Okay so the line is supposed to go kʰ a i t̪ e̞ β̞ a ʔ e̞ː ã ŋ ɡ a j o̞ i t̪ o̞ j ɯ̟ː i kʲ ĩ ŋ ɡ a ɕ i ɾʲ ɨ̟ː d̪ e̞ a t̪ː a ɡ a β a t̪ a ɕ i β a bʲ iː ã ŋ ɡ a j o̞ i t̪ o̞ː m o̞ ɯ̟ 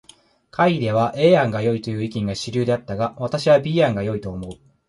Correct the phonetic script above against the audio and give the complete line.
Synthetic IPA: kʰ a i d̪ e̞ β̞ a ʔ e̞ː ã ŋ ɡ a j o̞ i t̪ o̞ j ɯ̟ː i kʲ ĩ ŋ ɡ a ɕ i ɾʲ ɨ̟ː d̪ e̞ a t̪ː a ɡ a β a t̪ a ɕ i β a bʲ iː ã ŋ ɡ a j o̞ i t̪ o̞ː m o̞ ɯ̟